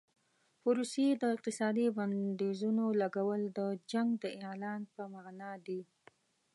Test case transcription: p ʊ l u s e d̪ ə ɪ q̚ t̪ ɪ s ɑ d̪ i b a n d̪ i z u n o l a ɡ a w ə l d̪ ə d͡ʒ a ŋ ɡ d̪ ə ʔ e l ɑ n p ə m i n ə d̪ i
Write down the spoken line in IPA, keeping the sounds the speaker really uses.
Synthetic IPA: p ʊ ɾ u s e d̪ ə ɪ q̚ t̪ ɪ s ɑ d̪ i b a n d̪ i z u n o l a ɡ a w ə l d̪ ə d͡ʒ a ŋ ɡ d̪ ə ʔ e l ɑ n p ə m a n ɑ d̪ i